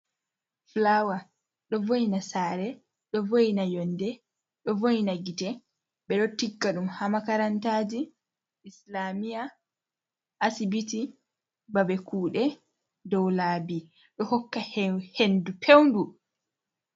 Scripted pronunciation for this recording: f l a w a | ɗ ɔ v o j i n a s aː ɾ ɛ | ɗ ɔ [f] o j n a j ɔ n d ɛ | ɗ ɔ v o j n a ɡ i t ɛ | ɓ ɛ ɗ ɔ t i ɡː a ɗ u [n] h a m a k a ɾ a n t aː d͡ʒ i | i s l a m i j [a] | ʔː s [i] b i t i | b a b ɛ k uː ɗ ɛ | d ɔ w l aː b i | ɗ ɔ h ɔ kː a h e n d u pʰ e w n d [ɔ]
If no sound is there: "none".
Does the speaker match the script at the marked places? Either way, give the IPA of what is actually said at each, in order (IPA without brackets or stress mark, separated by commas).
v, m, a, i, u